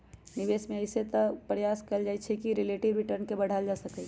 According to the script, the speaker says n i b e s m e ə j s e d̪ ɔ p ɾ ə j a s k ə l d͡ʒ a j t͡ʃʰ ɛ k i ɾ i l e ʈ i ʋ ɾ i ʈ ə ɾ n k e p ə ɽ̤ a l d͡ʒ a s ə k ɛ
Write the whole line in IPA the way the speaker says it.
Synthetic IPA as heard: n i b e s m e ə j s e t̪ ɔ p ɾ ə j a s k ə l d͡ʒ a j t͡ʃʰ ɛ k i ɾ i l e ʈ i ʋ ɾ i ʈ ə ɾ n k e b ə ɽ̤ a l d͡ʒ a s ə k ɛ